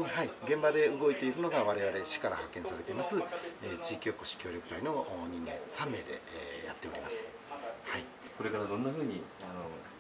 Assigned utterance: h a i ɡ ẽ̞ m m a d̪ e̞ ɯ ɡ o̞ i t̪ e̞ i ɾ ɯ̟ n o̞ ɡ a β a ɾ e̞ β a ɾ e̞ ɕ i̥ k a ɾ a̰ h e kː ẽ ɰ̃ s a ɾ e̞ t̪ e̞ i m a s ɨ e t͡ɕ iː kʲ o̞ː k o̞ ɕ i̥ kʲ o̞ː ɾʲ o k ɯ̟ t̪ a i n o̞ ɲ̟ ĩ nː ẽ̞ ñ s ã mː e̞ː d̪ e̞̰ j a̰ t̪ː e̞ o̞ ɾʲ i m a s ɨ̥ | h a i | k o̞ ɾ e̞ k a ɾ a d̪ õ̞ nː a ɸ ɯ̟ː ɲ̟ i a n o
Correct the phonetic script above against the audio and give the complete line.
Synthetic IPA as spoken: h a i ɡ ẽ̞ m b a d̪ e̞ ɯ ɡ o̞ i t̪ e̞ i ɾ ɯ̟ n o̞ ɡ a β a ɾ e̞ β a ɾ e̞ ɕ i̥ k a ɾ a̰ h a kː ẽ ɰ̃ s a ɾ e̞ t̪ e̞ i m a s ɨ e t͡ɕ iː kʲ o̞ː k o̞ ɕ i̥ kʲ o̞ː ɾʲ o k ɯ̟ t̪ a i n o̞ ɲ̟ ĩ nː ẽ̞ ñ s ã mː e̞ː d̪ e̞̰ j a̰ t̪ː e̞ o̞ ɾʲ i m a s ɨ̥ | h a i | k o̞ ɾ e̞ k a ɾ a d̪ õ̞ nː a ɸ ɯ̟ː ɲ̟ i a n o